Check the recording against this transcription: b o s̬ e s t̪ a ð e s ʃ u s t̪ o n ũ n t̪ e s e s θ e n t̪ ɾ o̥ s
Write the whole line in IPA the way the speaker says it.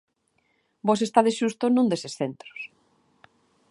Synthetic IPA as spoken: b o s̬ e s t̪ a ð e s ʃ u s t̪ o n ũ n d̪ e s e s θ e n t̪ ɾ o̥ s